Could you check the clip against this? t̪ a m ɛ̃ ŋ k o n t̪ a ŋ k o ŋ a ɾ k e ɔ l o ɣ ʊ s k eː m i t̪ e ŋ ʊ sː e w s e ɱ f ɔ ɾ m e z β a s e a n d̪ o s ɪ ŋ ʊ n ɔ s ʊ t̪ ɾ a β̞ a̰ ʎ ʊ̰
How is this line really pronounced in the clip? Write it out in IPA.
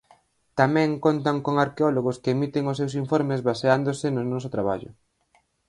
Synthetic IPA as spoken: t̪ a m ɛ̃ ŋ k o n t̪ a ŋ k o ŋ a ɾ k e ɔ l o ɣ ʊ s k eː m i t̪ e ŋ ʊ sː e w s i ɱ f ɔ ɾ m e z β a s e a n d̪ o s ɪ n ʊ n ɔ s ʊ t̪ ɾ a β̞ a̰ ʎ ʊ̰